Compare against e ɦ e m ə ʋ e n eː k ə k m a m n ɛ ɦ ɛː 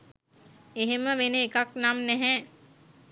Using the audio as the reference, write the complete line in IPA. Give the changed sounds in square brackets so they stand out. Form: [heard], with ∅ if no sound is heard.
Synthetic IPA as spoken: e ɦ e m ə ʋ e n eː k [a] k [n] a m n ɛ ɦ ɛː